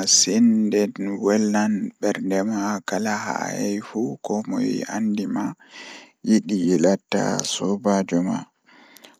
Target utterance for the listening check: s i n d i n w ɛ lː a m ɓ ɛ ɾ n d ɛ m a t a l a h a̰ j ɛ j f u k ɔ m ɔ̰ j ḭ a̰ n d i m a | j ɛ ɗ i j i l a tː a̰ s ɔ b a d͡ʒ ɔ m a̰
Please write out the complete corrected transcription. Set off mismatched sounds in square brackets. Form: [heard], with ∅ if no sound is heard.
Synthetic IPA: s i n d [ɛ] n w ɛ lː a [n] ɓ ɛ ɾ n d ɛ m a [k] a l a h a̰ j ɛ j f u k ɔ m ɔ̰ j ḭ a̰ n d i m a | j [i] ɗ i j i l a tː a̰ s ɔ b a d͡ʒ ɔ m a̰